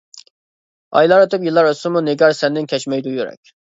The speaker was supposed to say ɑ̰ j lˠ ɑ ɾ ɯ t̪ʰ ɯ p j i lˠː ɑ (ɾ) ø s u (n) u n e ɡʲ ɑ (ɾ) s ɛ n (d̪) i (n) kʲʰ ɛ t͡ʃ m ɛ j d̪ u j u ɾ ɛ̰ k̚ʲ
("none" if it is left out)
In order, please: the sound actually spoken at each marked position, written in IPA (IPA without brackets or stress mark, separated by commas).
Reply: ɾ, m, ɾ, d̪, n